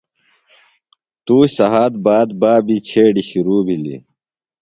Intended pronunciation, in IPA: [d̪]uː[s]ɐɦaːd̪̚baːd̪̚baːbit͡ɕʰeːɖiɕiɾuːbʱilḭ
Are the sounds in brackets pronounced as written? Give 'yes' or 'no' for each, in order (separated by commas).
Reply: no, yes